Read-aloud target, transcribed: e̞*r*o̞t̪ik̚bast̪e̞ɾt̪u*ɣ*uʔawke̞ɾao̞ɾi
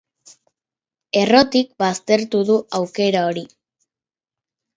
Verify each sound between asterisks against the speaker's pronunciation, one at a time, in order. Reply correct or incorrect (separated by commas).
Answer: correct, incorrect